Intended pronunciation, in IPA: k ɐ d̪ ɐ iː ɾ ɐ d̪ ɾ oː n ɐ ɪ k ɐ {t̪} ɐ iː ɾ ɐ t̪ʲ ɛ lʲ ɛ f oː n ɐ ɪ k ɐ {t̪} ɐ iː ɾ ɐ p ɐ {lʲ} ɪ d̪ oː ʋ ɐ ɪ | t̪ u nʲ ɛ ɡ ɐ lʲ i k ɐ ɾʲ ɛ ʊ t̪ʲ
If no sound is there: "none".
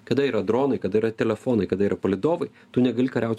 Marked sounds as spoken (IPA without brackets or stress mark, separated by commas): d̪, d̪, lʲ